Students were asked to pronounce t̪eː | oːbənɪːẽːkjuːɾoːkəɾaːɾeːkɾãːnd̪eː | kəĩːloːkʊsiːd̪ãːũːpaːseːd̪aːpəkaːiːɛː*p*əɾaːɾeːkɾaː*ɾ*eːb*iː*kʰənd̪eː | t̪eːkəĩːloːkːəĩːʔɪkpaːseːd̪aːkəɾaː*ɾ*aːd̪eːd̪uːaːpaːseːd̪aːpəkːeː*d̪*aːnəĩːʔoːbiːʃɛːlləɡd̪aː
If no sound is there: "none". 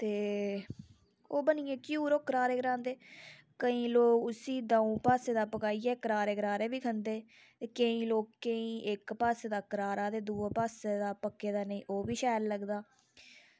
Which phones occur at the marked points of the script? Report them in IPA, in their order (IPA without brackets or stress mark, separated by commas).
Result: k, ɾ, iː, ɾ, d̪